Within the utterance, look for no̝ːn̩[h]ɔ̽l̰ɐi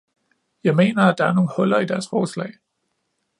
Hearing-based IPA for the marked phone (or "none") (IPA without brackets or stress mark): h